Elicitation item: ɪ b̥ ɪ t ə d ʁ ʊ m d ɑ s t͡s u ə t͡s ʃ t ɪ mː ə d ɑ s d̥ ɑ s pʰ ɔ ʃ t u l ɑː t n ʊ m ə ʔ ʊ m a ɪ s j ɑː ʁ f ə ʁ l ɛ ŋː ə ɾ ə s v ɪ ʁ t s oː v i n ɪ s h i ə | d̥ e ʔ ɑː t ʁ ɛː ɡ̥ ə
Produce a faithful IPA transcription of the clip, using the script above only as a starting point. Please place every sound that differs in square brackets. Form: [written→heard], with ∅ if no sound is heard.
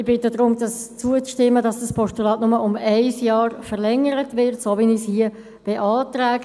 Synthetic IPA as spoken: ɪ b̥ ɪ t ə d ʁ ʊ m d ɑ s t͡s u ə t͡s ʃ t ɪ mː ə d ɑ s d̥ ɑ s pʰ ɔ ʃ t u l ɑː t n ʊ m ə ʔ ʊ m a ɪ s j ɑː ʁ f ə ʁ l ɛ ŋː ə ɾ ə [s→t] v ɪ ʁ t s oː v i n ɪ s h i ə | [d̥→b̥] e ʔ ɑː t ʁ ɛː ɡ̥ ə